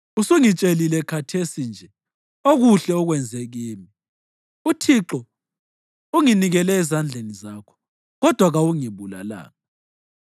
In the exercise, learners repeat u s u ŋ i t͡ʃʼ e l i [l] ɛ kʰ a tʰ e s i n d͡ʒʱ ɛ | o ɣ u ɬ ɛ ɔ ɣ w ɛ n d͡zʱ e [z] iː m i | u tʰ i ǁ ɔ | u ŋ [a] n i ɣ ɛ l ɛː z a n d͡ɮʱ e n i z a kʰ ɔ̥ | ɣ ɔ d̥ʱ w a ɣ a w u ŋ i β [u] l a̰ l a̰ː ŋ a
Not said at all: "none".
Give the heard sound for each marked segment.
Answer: l, ɣ, i, u

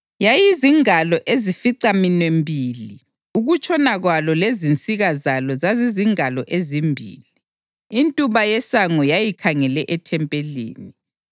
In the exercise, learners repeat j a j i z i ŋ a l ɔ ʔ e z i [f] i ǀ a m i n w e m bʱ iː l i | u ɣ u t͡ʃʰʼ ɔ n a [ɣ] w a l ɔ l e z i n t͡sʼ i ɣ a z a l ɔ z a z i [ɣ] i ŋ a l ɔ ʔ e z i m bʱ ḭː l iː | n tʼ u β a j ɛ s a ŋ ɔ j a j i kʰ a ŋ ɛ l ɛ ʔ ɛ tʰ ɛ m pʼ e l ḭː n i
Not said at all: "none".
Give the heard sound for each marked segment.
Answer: f, ɣ, z

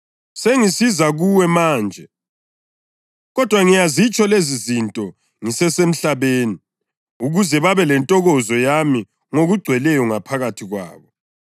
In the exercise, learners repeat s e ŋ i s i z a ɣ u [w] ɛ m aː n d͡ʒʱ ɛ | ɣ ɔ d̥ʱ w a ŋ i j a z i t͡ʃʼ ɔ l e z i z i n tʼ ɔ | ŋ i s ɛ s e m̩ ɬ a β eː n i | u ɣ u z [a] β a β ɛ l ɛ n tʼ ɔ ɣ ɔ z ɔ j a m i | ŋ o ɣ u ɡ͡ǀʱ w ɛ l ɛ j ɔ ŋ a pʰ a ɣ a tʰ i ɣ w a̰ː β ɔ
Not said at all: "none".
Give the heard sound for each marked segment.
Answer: w, ɛ

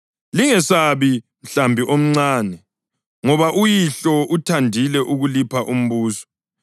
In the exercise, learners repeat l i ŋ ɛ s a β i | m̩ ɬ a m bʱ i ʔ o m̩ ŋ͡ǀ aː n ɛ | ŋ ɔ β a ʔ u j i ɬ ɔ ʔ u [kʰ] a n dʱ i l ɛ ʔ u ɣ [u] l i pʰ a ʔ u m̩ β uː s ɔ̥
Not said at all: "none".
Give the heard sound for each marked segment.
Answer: tʰ, u

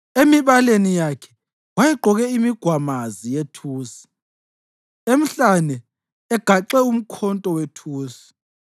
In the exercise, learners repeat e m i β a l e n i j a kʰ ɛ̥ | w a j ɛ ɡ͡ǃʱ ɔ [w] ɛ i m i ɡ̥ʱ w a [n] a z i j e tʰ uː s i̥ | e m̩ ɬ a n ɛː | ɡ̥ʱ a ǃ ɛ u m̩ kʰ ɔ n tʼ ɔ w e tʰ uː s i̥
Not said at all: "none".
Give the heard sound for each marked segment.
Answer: ɣ, m

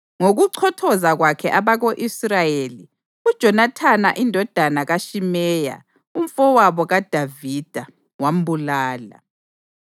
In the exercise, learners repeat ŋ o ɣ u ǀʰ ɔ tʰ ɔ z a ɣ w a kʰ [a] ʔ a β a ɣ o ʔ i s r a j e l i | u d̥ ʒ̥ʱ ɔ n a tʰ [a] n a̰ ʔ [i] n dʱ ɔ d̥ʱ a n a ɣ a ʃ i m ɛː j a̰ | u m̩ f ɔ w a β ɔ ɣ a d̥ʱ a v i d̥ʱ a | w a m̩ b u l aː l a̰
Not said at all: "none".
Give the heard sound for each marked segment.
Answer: ɛ, a, i

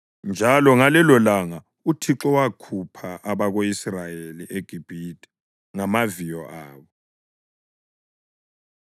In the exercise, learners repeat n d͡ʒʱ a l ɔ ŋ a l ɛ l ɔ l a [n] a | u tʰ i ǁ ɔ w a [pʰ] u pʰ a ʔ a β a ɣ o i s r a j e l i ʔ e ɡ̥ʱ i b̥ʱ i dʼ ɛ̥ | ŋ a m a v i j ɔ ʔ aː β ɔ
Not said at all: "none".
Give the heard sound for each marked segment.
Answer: ŋ, kʰ

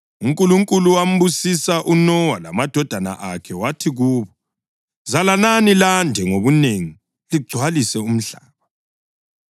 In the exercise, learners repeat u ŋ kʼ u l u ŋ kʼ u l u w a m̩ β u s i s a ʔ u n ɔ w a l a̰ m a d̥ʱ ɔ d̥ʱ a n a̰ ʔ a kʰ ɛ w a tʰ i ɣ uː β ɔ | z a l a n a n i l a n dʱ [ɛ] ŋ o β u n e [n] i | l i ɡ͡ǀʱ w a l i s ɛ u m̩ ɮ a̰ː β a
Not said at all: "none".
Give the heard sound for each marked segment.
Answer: ɛ, ŋ

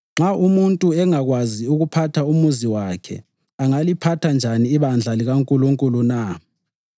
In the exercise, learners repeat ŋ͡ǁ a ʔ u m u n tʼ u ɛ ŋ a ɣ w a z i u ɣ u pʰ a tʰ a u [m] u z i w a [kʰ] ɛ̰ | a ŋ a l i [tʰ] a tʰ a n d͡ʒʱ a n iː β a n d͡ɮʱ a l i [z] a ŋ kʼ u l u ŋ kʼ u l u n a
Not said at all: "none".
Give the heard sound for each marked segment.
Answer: m, kʰ, pʰ, ɣ

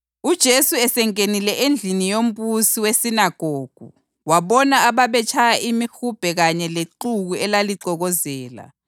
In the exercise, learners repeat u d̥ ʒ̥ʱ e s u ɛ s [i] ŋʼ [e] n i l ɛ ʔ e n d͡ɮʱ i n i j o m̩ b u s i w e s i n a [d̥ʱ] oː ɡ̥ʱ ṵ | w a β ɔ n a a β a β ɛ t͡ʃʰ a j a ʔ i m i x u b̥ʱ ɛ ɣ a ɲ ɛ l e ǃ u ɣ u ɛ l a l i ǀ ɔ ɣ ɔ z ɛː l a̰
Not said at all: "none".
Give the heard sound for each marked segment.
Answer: ɛ, e, ɡ̥ʱ

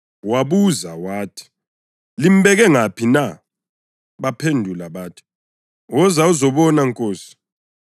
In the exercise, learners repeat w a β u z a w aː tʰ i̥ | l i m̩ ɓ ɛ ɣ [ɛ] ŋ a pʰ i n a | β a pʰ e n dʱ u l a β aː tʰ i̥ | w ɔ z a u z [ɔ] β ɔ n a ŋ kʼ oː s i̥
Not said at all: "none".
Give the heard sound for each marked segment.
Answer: ɛ, ɔ

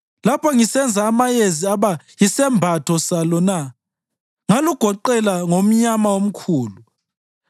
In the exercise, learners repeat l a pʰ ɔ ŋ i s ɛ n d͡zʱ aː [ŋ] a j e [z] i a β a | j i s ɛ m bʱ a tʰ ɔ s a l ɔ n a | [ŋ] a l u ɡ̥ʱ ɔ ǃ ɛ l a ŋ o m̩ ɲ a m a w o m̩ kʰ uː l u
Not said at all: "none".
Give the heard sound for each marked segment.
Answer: m, z, ŋ

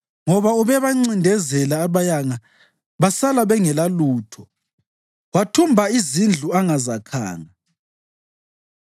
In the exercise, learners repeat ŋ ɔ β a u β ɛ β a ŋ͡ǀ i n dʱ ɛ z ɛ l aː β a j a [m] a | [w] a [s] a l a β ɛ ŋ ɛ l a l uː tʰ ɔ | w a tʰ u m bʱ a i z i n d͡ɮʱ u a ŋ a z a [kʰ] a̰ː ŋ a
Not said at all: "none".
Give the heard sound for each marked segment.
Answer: ŋ, β, s, kʰ

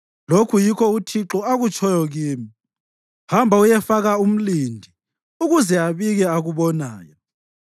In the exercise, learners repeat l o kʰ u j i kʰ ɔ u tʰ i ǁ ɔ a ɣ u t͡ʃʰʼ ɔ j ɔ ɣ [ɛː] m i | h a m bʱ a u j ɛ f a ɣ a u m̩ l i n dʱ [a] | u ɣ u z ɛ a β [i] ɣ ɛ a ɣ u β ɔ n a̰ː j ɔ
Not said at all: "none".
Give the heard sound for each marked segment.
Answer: iː, i, i

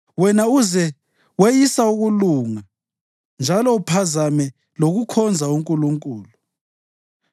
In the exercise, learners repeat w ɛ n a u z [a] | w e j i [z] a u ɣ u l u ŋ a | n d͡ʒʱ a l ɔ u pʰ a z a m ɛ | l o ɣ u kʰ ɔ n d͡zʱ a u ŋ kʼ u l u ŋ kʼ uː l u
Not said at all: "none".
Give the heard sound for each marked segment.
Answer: ɛ, s

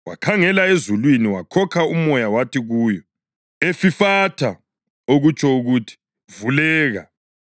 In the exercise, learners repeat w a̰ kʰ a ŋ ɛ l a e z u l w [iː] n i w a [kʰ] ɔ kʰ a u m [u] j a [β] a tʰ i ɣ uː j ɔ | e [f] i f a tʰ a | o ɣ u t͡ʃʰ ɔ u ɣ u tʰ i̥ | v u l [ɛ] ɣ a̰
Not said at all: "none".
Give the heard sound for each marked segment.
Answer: i, kʰ, ɔ, w, f, ɛː

